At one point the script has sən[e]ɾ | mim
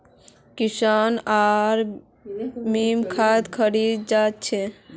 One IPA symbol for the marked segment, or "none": a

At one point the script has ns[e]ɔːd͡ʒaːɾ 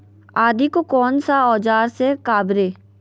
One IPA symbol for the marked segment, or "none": a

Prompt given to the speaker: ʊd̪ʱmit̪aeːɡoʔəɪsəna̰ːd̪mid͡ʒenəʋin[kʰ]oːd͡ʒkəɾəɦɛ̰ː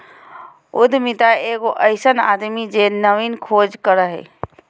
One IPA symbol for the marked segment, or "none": kʰ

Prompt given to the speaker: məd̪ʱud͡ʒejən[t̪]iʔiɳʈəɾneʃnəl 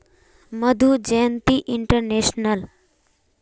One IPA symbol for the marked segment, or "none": t̪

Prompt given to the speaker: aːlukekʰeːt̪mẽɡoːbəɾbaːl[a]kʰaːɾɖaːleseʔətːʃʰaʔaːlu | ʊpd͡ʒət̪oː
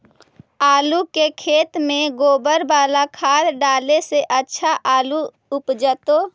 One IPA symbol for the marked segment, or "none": a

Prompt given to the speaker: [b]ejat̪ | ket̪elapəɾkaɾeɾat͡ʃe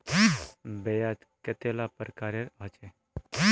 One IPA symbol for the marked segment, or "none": b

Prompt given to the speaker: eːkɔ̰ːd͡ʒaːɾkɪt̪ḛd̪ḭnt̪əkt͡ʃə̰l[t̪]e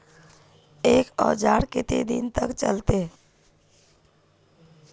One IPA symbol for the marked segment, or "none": t̪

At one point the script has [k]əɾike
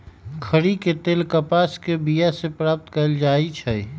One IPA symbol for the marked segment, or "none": kʰ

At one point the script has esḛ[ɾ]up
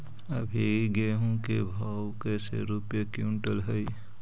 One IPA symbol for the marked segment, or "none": ɾ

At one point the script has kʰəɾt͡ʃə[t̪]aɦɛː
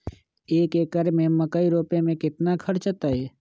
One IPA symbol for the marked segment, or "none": t̪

